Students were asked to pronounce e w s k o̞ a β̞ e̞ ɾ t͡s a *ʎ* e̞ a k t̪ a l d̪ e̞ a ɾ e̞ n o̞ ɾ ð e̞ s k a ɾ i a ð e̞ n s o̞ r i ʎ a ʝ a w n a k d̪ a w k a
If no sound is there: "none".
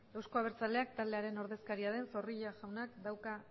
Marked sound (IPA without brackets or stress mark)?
l